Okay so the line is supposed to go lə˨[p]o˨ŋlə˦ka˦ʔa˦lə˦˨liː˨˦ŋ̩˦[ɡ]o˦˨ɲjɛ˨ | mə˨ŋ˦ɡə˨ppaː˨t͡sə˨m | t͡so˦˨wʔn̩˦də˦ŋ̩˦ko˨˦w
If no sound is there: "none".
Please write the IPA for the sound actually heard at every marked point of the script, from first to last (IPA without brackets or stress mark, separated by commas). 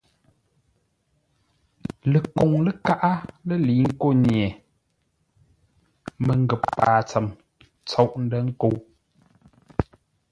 k, k